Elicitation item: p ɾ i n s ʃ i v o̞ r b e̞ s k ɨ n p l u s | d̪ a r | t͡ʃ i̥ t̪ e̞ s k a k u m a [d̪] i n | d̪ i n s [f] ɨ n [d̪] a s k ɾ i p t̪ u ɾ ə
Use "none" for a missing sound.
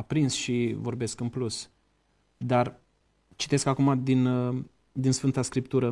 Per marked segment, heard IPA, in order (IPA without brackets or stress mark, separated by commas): d̪, f, t̪